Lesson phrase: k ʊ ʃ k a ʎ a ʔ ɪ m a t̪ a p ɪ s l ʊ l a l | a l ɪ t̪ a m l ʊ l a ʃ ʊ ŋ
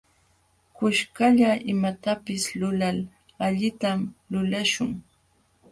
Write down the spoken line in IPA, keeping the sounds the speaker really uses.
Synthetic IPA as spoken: k ʊ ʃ k a ʎ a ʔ ɪ m a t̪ a p ɪ s l ʊ l a l | a ʎ ɪ t̪ a m l ʊ l a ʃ ʊ ŋ